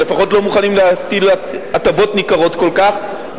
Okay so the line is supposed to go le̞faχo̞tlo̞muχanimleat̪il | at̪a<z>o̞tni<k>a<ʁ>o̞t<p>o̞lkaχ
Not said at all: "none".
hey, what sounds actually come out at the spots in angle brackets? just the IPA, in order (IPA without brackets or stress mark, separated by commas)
v, k, ʁ, k